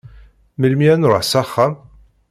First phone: m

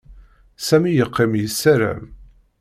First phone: s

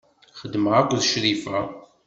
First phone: χ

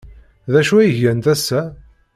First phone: ð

